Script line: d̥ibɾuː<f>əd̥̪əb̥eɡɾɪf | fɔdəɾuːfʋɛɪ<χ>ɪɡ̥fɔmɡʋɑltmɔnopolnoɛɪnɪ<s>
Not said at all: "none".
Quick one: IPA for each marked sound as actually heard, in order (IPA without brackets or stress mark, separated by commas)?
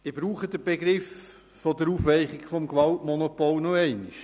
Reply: χ, χ, ʃ